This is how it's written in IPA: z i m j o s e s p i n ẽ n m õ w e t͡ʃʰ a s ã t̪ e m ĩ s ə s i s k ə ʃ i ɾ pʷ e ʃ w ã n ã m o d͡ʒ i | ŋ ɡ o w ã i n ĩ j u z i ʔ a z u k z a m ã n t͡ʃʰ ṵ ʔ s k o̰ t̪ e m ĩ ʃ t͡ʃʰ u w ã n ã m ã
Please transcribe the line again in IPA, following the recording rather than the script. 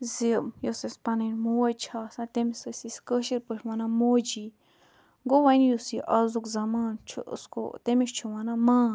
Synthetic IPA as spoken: z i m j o s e s p a n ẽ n m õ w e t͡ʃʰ a s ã t̪ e m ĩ s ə s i s k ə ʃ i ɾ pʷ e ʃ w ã n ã m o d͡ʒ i | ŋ ɡ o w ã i n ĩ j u s i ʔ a z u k z a m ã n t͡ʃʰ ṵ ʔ s k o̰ t̪ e m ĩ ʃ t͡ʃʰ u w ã n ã m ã